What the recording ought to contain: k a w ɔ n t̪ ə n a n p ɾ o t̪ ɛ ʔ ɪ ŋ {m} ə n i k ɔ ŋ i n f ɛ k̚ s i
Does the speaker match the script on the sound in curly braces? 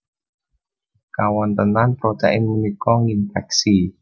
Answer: yes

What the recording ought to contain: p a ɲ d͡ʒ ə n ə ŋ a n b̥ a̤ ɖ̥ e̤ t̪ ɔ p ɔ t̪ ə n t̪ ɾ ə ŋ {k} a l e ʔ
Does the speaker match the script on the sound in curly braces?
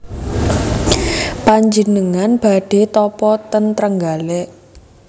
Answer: no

